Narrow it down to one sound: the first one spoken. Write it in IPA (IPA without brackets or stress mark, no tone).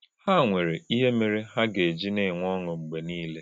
h